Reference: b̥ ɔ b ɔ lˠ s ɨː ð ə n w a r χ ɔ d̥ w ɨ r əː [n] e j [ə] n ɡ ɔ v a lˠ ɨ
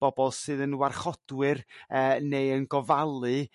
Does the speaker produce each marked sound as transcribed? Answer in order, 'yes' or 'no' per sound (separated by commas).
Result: yes, yes